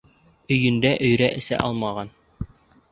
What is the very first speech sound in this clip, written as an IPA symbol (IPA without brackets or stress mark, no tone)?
ɵ̆